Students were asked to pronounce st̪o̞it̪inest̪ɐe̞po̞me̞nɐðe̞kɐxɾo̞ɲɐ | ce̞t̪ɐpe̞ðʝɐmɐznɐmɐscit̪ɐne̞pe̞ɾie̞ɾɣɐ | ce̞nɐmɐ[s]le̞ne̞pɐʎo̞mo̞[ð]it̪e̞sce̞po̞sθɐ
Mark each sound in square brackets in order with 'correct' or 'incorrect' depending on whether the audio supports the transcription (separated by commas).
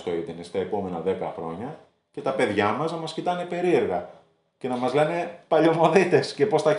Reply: incorrect, correct